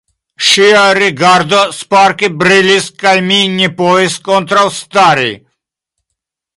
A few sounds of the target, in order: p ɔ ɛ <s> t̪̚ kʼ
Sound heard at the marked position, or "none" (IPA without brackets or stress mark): s